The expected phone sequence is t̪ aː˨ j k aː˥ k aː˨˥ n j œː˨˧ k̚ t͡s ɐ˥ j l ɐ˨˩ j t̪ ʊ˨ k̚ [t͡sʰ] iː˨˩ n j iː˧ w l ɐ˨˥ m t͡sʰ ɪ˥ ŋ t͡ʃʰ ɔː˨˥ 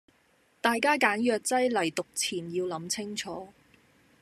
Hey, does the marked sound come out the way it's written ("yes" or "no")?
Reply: yes